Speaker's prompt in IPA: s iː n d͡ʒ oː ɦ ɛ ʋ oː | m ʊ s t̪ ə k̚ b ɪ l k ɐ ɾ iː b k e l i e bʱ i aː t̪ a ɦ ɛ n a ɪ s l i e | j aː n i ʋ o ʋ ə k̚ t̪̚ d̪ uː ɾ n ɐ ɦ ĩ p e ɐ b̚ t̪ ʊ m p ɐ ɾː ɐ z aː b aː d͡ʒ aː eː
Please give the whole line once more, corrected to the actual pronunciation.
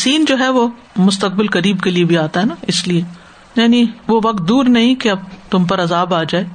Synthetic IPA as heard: s iː n d͡ʒ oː ɦ ɛ ʋ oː | m ʊ s t̪ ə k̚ b ɪ l k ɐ ɾ iː b k e l i e bʱ i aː t̪ a ɦ ɛ n a ɪ s l i e | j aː n i ʋ o ʋ ɐ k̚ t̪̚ d̪ uː ɾ n ɐ ɦ ĩ k e ɐ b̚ t̪ ʊ m p ɐ ɾ ɐ z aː b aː d͡ʒ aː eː